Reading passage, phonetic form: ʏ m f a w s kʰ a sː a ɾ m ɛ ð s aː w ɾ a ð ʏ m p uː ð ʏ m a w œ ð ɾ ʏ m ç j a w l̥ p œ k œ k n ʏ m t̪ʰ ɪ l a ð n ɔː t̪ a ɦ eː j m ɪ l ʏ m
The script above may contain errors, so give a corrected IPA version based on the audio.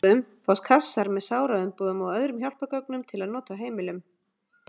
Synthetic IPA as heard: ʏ m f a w s kʰ a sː a ɾ m ɛ ð s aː w ɾ a ð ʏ m p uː ð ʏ m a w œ ð ɾ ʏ m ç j a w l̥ p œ k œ k n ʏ m t̪ʰ ɪ l a ð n ɔː t̪ a ɦ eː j m ɪ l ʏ m